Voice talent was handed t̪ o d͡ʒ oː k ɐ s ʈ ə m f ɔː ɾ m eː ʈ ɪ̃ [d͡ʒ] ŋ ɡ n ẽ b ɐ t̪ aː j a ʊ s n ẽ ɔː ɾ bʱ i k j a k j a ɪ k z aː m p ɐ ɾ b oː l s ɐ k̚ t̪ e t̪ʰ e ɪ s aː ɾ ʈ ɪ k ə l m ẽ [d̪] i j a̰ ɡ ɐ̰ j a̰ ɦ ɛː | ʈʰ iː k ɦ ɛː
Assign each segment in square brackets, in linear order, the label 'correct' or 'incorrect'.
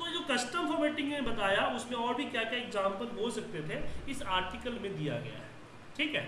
incorrect, correct

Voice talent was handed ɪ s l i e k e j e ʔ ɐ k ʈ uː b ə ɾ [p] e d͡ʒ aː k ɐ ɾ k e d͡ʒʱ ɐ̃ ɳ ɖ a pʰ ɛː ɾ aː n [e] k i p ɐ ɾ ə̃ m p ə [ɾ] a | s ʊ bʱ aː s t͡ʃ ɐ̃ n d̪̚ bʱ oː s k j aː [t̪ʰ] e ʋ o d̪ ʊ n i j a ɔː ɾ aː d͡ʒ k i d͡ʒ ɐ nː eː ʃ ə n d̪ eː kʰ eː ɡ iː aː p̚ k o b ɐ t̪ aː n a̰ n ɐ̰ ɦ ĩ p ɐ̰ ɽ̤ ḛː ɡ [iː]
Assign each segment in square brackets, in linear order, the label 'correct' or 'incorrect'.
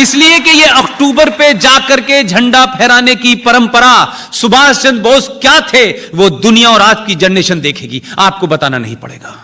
correct, correct, correct, correct, incorrect

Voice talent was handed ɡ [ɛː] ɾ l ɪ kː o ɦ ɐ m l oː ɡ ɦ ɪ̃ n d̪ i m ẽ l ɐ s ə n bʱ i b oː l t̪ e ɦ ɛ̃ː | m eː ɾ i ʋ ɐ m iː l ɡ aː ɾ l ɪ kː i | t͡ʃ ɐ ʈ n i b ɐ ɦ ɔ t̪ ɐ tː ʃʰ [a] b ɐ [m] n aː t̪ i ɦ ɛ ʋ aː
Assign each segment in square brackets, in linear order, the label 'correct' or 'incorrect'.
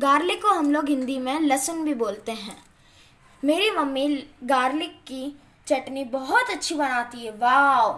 incorrect, incorrect, incorrect

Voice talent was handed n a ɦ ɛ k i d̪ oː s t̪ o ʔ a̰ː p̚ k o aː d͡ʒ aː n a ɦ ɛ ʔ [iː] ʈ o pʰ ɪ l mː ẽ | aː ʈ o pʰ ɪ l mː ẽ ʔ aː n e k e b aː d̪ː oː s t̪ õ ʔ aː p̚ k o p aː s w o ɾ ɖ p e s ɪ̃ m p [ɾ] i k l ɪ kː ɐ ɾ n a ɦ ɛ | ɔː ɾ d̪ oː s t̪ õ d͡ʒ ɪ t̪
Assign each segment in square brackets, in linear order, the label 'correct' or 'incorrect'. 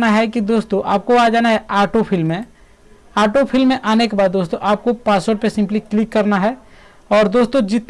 incorrect, incorrect

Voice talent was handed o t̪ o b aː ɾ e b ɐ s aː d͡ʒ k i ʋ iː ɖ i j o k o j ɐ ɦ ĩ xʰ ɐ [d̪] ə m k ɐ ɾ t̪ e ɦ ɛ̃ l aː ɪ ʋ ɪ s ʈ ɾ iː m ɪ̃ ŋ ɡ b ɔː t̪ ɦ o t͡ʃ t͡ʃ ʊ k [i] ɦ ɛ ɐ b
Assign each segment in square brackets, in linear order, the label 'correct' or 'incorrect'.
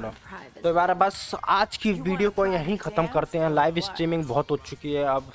incorrect, correct

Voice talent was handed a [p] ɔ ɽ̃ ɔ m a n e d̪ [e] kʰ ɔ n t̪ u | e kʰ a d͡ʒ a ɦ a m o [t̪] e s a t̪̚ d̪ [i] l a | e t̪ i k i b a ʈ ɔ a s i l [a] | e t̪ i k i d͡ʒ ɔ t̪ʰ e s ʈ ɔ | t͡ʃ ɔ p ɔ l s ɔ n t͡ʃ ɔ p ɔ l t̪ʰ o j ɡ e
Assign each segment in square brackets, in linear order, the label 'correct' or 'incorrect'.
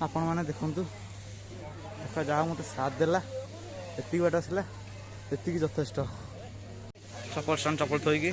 correct, correct, correct, incorrect, correct

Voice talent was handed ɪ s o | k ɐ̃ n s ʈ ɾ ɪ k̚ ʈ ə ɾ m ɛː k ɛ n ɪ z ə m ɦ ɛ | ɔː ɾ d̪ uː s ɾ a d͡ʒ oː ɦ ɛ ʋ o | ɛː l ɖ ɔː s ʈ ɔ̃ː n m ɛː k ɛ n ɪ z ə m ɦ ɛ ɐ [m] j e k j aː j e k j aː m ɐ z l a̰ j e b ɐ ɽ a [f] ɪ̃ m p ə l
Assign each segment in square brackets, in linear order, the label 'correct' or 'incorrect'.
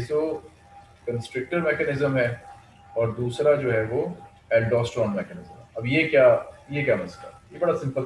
incorrect, incorrect

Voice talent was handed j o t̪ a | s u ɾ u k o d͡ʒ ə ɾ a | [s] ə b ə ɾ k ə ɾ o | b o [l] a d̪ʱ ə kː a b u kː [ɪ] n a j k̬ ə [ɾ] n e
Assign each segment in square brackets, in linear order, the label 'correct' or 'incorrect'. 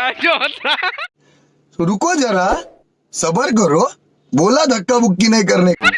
correct, correct, incorrect, correct

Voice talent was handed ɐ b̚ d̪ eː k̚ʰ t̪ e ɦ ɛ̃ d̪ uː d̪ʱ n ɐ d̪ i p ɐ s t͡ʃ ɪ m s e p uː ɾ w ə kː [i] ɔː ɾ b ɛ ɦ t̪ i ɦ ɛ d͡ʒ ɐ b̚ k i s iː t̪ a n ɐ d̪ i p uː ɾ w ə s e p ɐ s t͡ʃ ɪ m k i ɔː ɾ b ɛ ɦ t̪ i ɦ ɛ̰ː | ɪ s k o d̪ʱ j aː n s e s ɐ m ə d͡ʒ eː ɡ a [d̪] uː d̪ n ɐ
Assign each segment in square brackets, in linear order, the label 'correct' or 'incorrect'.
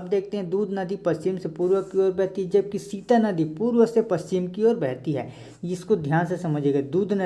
correct, correct

